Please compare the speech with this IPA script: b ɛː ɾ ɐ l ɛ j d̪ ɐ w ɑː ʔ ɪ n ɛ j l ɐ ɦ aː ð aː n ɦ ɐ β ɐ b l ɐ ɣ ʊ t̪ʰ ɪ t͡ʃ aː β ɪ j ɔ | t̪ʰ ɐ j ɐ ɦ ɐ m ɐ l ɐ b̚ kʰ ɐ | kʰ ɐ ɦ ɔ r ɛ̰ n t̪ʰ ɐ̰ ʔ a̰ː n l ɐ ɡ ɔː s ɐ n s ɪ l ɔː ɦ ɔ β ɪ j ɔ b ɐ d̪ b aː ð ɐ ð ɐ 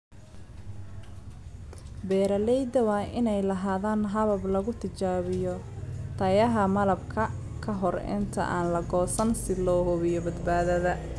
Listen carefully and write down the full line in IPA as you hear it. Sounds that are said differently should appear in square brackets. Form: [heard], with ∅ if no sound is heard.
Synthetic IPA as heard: b ɛː ɾ ɐ l ɛ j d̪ ɐ w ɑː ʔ ɪ n ɛ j l ɐ ɦ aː ð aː n ɦ ɐ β ɐ b l ɐ ɣ ʊ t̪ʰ ɪ t͡ʃ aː β ɪ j ɔ | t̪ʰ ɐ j ɐ ɦ ɐ m ɐ l ɐ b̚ kʰ ɐ | kʰ ɐ ɦ ɔ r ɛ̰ n t̪ʰ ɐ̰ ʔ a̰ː n l ɐ ɡ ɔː s ɐ n s ɪ l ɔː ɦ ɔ β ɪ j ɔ b ɐ d̪ b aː ð ɐ ð ɐ